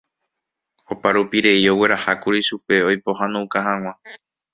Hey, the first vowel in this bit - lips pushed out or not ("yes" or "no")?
yes